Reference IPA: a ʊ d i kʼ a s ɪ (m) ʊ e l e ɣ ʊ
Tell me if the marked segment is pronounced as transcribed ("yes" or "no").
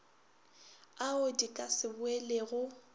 no